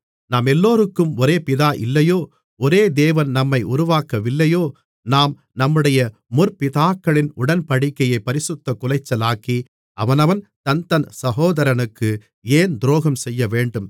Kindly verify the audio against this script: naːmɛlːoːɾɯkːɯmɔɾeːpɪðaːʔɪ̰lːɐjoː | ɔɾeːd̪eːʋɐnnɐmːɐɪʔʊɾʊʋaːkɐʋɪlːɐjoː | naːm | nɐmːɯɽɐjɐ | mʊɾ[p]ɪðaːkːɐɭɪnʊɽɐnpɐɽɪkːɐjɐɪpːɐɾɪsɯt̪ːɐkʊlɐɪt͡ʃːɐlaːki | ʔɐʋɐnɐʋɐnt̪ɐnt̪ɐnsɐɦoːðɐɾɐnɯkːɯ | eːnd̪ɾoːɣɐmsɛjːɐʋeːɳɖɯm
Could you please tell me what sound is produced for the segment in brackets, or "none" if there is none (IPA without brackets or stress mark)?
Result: p